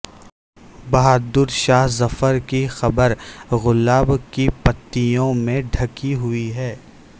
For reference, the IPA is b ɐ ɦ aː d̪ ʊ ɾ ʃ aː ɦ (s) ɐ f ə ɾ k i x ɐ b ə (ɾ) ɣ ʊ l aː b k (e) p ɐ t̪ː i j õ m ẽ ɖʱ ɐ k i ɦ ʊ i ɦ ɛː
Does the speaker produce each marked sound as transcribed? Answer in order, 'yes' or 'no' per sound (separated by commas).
no, yes, no